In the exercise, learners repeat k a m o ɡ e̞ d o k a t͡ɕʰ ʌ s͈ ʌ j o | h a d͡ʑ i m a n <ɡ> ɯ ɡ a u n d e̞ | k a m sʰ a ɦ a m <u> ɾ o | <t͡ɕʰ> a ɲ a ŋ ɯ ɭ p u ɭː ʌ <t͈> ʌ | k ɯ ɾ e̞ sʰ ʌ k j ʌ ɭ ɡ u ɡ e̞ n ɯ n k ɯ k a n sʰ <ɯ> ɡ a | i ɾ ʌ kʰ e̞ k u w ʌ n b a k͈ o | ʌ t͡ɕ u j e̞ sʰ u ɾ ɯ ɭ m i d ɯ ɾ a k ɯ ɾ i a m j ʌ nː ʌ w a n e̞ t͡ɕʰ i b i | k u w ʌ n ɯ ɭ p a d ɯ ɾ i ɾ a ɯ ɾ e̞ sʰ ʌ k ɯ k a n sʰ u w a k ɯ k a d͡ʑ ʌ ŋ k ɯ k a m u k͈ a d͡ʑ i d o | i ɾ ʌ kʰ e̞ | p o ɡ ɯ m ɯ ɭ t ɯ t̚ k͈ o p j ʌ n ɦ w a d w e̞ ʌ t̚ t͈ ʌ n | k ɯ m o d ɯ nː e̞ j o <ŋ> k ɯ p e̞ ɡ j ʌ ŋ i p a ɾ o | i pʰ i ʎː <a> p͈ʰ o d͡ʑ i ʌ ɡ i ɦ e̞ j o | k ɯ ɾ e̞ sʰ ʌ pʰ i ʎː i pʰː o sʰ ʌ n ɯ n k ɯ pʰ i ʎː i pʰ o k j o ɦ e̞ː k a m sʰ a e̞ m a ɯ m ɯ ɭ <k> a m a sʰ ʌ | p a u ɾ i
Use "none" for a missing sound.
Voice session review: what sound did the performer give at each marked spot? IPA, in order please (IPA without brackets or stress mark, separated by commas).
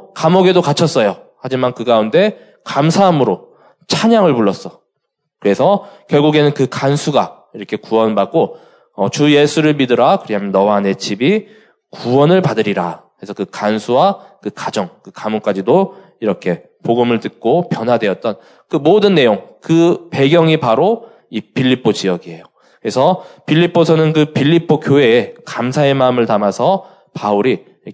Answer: k, ɯ, t͡ɕʰ, s͈, u, ŋ, i, t